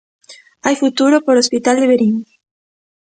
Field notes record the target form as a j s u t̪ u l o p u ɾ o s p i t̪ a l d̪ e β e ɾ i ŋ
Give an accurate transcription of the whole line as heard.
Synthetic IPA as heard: a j f u t̪ u ɾ o p o ɾ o s p i t̪ a l d̪ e β e ɾ i ŋ

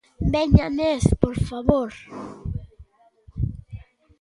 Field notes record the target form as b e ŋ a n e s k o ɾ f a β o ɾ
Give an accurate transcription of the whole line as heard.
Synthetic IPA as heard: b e ɲ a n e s p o ɾ f a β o ɾ

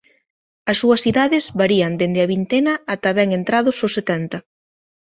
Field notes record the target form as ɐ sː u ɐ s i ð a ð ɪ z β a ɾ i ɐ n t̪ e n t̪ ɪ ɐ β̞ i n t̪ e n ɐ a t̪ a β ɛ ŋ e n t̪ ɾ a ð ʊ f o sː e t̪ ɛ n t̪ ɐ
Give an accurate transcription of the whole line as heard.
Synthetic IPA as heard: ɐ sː u ɐ s i ð a ð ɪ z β a ɾ i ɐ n d̪ e n d̪ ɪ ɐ β̞ i n t̪ e n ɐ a t̪ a β ɛ ŋ e n t̪ ɾ a ð ʊ s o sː e t̪ ɛ n t̪ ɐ

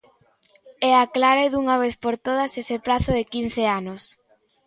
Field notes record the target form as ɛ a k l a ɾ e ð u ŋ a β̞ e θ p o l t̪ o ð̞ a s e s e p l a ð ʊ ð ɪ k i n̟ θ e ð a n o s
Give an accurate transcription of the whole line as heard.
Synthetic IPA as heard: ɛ a k l a ɾ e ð u ŋ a β̞ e θ p o ɾ t̪ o ð̞ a s e s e p ɾ a θ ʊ ð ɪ k i n̟ θ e a n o s

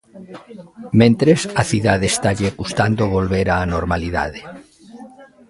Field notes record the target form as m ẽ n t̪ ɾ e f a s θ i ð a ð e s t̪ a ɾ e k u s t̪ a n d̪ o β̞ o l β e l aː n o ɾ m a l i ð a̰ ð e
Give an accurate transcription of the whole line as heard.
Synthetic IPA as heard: m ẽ n t̪ ɾ e s a θ i ð a ð e s t̪ a ʎ e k u s t̪ a n d̪ o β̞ o l β e ɾ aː n o ɾ m a l i ð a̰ ð e

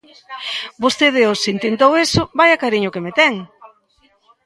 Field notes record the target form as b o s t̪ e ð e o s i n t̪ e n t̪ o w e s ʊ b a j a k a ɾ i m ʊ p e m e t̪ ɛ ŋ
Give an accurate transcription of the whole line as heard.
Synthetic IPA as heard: b o s t̪ e ð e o s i n t̪ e n t̪ o w e s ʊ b a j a k a ɾ i ɲ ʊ k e m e t̪ ɛ ŋ

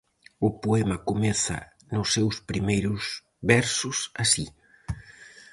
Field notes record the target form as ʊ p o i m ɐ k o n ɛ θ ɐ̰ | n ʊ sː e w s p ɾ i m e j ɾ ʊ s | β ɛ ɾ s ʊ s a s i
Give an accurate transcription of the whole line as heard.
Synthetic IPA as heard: ʊ p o ɛ m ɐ k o m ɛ θ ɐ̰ | n ʊ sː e w s p ɾ i m e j ɾ ʊ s | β ɛ ɾ s ʊ s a s i

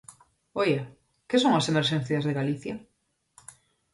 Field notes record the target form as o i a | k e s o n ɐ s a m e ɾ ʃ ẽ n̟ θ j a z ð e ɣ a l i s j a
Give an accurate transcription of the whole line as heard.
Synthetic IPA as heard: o j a | k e s o ŋ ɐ s e m e ɾ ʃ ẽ n̟ θ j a z ð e ɣ a l i θ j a

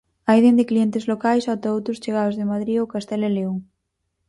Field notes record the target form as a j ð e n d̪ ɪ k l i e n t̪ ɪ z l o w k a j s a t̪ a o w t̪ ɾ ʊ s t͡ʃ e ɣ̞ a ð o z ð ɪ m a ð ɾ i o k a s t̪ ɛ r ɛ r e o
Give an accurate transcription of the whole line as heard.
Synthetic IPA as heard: a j ð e n d̪ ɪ k l i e n t̪ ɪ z l o k a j s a t̪ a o w t̪ ɾ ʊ s t͡ʃ e ɣ̞ a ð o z ð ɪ m a ð ɾ i o k a s t̪ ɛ l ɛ l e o

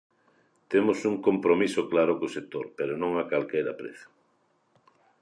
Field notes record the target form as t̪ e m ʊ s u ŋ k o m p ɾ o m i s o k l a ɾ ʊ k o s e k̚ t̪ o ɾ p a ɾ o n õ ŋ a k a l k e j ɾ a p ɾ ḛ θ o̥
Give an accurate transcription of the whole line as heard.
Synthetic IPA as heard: t̪ e m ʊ s u ŋ k o m p ɾ o m i s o k l a ɾ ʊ k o s e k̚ t̪ o ɾ p e ɾ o n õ ŋ a k a l k e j ɾ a p ɾ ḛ θ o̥

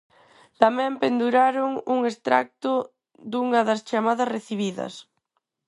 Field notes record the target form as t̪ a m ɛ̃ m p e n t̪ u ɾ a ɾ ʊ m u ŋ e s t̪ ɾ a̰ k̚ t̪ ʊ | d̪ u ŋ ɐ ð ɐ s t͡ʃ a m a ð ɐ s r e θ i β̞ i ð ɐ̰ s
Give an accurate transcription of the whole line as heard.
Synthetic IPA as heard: t̪ a m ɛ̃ m p e n d̪ u ɾ a ɾ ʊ ŋ u ŋ e s t̪ ɾ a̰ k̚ t̪ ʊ | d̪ u ŋ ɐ ð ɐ s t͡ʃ a m a ð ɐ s r e θ i β̞ i ð ɐ̰ s

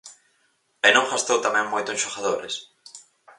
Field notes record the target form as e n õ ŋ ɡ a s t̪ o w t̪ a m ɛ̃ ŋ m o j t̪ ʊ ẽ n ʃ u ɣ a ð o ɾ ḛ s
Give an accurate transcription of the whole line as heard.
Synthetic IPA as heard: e n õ ŋ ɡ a s t̪ o w t̪ a m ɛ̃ ŋ m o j t̪ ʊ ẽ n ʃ o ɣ a ð o ɾ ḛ s

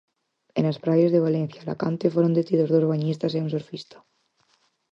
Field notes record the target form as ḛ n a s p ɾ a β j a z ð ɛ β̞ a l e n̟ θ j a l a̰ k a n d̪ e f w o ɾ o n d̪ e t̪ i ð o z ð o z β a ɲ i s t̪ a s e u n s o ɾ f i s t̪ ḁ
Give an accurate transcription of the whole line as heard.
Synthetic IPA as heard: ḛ n a s p ɾ a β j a z ð e β̞ a l e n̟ θ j a l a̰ k a n t̪ e f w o ɾ o n d̪ e t̪ i ð o z ð o z β a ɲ i s t̪ a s e u n s o ɾ f i s t̪ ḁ

